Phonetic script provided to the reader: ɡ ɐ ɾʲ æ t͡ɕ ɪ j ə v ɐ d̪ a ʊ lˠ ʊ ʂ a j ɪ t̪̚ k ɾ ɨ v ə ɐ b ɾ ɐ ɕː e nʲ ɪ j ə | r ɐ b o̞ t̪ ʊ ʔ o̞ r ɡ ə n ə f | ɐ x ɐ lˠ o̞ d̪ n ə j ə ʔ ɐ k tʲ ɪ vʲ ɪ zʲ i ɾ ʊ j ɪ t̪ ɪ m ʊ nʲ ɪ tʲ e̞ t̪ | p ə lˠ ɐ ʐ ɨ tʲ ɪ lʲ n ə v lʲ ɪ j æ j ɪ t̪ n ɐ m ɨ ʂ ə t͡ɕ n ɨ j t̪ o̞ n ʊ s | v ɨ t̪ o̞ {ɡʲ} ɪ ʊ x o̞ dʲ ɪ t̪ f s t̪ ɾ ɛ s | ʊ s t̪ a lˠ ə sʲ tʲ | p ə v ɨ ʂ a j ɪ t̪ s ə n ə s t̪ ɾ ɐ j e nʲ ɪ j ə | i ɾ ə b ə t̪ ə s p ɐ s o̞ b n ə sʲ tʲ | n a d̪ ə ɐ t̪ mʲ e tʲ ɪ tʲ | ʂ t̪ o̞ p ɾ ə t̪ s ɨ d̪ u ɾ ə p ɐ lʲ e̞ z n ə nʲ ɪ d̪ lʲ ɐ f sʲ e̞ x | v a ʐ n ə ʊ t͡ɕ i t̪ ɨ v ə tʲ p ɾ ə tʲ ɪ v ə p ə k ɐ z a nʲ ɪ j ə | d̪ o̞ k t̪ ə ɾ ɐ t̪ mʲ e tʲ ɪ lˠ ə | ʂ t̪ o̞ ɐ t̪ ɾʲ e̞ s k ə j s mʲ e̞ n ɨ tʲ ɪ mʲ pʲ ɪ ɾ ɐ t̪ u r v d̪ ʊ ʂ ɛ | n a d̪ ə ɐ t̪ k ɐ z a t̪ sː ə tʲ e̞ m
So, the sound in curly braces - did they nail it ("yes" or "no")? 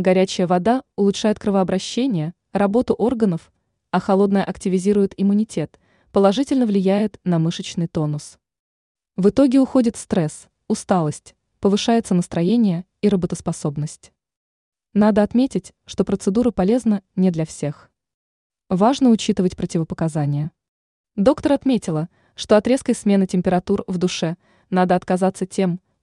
yes